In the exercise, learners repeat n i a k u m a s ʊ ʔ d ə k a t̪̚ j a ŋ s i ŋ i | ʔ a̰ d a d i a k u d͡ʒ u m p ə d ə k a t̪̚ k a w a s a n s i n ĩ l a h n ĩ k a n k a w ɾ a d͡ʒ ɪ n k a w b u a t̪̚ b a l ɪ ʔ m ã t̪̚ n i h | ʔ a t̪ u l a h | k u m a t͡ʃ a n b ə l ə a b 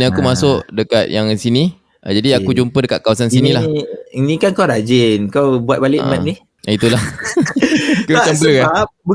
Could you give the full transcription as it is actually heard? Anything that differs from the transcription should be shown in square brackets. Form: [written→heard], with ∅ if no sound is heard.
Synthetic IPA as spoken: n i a k u m a s ʊ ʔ d ə k a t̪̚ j a ŋ s i [ŋ→n] i | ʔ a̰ [d→d͡ʒ] a d i a k u d͡ʒ u m p ə d ə k a t̪̚ k a w a s a n s i n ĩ l a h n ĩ k a n k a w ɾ a d͡ʒ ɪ n k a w b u a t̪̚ b a l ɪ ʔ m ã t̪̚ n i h | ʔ [a→i] t̪ u l a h | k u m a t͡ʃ a [n→m] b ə l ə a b